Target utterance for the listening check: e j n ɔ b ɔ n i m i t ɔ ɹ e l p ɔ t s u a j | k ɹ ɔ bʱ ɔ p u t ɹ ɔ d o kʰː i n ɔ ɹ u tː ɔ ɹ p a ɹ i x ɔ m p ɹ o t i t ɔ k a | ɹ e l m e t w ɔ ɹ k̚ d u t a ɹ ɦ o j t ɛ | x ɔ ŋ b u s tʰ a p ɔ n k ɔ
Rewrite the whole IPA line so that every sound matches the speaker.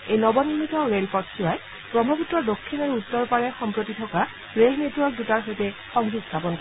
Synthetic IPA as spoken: e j n ɔ b ɔ n i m i t ɔ ɹ e l p ɔ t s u a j | p ɹ ɔ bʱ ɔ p u t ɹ ɔ d o kʰː i n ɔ ɹ u tː ɔ ɹ p a ɹ ɛ x ɔ m p ɹ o t i tʰ ɔ k a | ɹ e l n e t w ɔ ɹ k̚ d u t a ɹ ɦ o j t ɛ | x ɔ ŋ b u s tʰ a p ɔ n k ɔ